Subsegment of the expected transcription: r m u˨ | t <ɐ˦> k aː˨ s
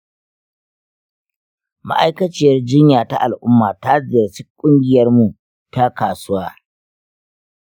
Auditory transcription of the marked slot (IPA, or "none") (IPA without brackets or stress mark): a˦